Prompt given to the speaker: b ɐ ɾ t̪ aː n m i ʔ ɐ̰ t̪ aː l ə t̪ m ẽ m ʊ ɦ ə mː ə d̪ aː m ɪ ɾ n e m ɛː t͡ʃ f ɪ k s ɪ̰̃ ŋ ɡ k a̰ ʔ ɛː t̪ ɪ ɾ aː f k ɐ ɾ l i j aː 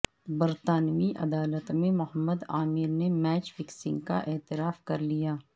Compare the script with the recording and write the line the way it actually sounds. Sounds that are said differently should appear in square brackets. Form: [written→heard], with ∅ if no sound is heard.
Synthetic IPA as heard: b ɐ ɾ t̪ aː n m i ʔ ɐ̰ [t̪→d̪] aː l ə t̪ m ẽ m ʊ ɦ ə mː ə d̪ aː m ɪ ɾ n e m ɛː t͡ʃ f ɪ k s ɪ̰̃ ŋ ɡ k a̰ ʔ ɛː t̪ ɪ ɾ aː f k ɐ ɾ l i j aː